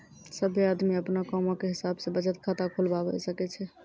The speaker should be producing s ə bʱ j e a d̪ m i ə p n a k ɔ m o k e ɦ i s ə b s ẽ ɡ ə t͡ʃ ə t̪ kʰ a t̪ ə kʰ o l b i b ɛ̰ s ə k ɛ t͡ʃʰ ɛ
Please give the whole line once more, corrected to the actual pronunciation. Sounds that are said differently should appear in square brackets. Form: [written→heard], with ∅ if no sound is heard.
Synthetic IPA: s ə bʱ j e a d̪ m i ə p n a k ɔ m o k e ɦ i s [ə→a] b s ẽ [ɡ→b] ə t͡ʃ ə t̪ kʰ a t̪ [ə→a] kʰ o l b [i→a] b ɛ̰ s ə k ɛ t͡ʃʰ ɛ